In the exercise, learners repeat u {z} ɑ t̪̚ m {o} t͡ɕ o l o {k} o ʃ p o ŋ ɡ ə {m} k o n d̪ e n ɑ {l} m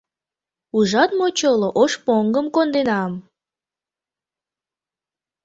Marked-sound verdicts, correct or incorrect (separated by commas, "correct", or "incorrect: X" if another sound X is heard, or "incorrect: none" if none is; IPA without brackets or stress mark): incorrect: ʒ, correct, incorrect: ʔ, correct, incorrect: none